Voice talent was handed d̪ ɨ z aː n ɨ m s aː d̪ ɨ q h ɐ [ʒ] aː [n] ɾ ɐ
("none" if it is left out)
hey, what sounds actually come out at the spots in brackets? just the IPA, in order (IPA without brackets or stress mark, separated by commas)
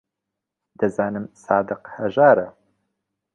ʒ, none